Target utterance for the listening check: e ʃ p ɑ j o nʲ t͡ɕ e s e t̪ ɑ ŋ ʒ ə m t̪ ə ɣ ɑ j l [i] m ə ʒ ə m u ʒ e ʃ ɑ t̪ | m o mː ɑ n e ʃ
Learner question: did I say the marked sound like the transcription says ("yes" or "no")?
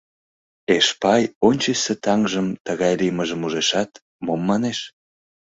yes